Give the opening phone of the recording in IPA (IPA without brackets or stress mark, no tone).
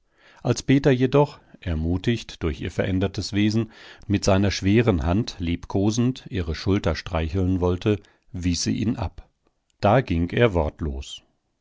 ʔ